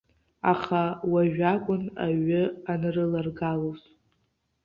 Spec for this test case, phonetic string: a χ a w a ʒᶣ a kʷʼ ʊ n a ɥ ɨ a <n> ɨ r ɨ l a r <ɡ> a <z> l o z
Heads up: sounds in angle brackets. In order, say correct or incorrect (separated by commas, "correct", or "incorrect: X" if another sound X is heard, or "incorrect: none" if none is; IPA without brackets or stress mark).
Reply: correct, correct, incorrect: none